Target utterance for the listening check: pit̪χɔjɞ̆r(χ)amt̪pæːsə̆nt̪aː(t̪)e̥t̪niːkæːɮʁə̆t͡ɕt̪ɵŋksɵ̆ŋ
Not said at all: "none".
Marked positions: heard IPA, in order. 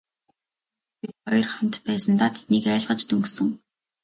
χ, t̪ʰ

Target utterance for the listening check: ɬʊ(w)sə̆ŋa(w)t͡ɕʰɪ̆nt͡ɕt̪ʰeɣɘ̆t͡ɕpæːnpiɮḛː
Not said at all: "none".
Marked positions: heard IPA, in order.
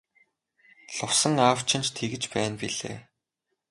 w, w

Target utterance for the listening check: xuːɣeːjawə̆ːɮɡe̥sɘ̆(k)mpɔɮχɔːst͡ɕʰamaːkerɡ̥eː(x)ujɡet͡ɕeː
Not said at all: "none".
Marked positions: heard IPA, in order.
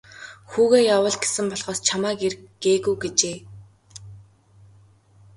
none, ɣ

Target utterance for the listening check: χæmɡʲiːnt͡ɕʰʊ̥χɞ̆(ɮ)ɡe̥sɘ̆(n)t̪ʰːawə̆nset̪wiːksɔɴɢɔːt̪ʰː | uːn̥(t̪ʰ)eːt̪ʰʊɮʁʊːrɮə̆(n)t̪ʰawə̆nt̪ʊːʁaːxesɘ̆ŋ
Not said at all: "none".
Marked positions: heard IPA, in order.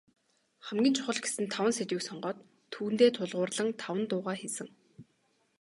ɮ, n, t̪, ŋ

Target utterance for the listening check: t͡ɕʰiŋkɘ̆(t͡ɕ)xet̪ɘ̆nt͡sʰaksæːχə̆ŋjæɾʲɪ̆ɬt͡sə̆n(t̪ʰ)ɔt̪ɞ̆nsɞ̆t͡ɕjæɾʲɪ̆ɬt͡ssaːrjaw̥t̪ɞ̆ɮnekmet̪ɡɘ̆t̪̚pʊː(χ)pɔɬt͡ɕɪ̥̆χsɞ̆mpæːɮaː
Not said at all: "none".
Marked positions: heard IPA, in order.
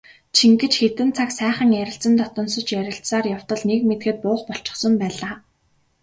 t͡ɕ, t̪, χ

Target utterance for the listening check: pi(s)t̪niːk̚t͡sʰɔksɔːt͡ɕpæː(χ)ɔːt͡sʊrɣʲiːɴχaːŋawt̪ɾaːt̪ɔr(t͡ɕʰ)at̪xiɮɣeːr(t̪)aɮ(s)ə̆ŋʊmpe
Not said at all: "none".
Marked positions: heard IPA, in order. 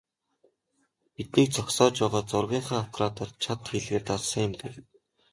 none, ʁ, t͡ɕʰ, t̪, s

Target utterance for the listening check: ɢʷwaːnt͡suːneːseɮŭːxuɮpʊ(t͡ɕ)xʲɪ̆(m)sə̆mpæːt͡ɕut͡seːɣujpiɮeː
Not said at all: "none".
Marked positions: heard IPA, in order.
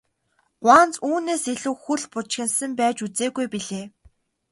t͡ɕ, n

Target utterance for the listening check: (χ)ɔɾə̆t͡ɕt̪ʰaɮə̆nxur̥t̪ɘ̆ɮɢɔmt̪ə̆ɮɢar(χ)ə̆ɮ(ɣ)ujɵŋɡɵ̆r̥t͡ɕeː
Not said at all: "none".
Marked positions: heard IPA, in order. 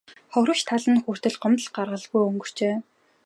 χ, ʁ, ɣ

